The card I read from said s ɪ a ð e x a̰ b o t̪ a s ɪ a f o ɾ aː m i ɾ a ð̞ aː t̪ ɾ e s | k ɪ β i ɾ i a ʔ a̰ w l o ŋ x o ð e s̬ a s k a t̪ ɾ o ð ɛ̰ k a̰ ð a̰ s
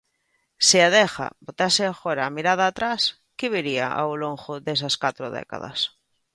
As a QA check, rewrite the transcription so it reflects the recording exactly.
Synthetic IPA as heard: s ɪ a ð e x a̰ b o t̪ a s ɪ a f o ɾ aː m i ɾ a ð̞ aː t̪ ɾ a s | k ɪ β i ɾ i a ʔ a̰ w l o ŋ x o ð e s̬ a s k a t̪ ɾ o ð ɛ̰ k a̰ ð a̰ s